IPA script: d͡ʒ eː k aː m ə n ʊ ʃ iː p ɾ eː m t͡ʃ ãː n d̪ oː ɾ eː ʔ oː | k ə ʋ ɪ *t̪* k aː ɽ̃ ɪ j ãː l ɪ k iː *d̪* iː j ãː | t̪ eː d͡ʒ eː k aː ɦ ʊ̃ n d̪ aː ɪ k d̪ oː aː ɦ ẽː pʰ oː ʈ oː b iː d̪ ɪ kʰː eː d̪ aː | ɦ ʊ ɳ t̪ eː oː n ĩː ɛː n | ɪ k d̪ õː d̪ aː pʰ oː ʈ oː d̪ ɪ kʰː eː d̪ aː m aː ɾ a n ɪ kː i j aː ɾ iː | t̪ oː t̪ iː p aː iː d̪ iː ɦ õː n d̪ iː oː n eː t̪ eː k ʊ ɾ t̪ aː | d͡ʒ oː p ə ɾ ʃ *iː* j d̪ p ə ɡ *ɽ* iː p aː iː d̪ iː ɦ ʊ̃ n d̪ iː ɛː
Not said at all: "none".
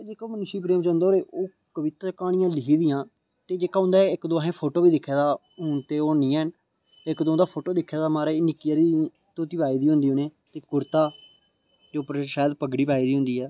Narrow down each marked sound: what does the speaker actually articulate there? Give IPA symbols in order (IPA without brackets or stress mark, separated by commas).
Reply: t̪, d̪, aː, ɽ